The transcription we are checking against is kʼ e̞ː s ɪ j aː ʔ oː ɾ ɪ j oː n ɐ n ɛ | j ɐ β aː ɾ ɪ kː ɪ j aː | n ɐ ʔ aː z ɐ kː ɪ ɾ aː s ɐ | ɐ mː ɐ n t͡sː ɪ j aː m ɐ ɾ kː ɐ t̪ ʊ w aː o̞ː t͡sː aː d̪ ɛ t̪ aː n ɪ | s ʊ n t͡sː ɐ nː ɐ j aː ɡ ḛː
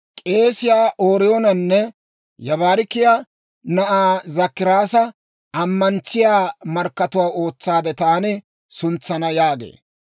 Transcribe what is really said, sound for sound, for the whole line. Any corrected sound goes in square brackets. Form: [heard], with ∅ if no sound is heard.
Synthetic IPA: kʼ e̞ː s ɪ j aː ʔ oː ɾ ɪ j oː n ɐ [nː] ɛ | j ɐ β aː ɾ ɪ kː ɪ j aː | n ɐ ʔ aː z ɐ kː ɪ ɾ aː s ɐ | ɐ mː ɐ n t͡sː ɪ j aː m ɐ ɾ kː ɐ t̪ ʊ w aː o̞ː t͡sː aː d̪ ɛ t̪ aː n ɪ | s ʊ n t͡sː ɐ [n] ɐ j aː ɡ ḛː